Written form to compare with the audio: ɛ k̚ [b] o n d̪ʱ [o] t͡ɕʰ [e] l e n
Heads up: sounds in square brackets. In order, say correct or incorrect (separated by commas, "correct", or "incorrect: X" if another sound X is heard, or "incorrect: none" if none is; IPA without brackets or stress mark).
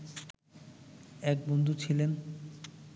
correct, incorrect: u, incorrect: i